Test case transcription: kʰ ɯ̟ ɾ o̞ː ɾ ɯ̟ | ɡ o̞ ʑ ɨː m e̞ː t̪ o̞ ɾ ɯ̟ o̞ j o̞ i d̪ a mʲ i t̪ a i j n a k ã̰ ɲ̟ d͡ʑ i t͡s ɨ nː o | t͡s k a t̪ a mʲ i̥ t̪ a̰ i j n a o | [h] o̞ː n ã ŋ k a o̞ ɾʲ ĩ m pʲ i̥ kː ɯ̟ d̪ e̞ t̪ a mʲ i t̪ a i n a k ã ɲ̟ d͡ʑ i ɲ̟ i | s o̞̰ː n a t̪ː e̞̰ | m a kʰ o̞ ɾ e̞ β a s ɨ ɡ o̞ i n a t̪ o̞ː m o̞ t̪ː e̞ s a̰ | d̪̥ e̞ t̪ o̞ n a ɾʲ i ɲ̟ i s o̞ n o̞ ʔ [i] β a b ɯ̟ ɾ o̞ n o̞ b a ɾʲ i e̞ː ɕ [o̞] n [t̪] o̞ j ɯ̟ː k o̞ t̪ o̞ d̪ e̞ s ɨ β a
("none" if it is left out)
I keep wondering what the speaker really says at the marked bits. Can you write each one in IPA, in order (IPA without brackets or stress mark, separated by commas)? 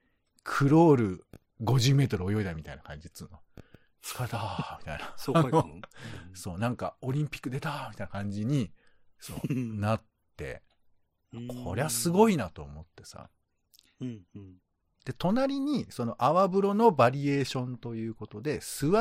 s, a, õ̞, t̪